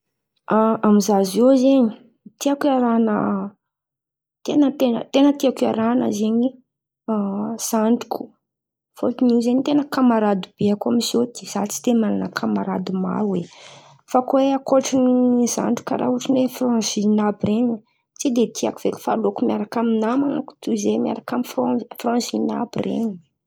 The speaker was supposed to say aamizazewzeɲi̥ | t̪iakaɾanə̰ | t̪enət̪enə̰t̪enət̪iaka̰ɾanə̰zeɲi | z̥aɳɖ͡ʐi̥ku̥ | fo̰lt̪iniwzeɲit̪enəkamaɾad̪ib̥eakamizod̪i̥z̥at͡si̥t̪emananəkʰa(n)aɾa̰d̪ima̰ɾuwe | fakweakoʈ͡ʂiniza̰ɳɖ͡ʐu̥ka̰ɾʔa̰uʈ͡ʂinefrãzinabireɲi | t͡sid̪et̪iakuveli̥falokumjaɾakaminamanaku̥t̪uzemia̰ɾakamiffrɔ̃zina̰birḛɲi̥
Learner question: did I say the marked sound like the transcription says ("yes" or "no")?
no